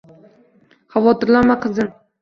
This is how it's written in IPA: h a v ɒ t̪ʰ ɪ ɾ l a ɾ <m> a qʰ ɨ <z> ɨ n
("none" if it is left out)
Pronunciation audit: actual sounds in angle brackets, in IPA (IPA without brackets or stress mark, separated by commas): m, z